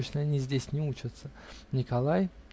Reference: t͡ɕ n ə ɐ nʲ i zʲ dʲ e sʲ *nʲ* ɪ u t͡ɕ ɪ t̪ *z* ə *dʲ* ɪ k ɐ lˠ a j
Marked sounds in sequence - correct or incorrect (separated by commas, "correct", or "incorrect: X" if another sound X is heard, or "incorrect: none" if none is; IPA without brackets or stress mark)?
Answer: correct, incorrect: s, incorrect: nʲ